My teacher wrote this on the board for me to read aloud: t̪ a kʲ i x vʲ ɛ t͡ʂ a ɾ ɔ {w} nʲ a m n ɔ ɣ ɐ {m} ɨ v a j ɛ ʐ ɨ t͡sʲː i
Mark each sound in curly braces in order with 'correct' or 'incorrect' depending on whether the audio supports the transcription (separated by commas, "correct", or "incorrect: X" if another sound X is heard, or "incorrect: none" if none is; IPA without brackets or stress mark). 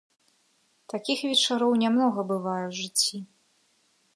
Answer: correct, incorrect: b